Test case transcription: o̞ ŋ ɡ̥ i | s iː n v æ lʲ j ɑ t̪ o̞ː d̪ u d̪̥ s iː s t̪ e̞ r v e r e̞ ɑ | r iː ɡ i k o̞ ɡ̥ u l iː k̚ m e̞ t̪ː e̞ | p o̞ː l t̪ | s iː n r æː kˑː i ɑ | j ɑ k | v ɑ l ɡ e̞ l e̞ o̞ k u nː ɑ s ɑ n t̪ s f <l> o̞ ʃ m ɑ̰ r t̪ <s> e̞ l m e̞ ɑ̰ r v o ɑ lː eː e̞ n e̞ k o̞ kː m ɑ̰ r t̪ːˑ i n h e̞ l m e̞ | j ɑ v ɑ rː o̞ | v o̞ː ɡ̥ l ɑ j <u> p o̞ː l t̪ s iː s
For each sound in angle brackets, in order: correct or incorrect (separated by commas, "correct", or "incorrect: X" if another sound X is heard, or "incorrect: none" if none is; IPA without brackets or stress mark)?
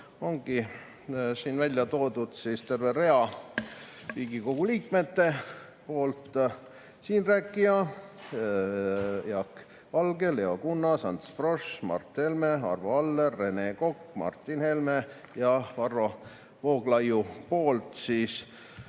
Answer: incorrect: r, incorrect: h, correct